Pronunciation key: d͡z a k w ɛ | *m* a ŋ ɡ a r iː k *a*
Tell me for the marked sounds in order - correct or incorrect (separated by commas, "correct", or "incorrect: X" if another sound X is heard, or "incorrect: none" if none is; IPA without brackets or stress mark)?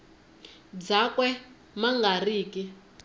correct, incorrect: i